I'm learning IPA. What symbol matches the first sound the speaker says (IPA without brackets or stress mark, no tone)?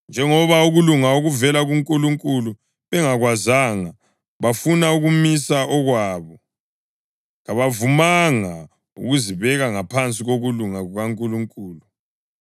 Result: n